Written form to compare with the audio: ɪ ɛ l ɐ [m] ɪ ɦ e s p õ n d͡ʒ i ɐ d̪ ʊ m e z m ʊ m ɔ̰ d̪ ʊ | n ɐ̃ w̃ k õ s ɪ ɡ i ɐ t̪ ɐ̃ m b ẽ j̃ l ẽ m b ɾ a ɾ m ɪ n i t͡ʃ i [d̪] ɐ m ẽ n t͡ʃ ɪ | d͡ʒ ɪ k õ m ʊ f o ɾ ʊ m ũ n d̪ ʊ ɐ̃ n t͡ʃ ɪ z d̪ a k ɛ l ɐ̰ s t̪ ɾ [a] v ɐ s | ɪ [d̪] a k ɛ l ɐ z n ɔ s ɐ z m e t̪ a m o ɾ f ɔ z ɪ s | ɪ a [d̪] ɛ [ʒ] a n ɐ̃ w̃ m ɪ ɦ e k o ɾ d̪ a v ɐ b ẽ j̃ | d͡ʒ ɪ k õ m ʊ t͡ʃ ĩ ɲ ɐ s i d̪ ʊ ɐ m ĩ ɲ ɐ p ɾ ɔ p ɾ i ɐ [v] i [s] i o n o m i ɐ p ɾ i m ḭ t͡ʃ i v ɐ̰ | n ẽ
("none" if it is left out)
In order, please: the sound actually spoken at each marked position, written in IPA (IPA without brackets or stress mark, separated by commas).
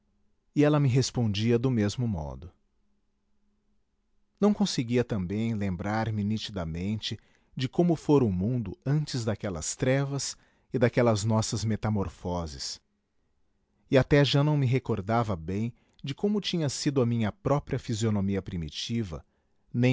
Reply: m, d̪, ɛ, d̪, t̪, ʒ, f, z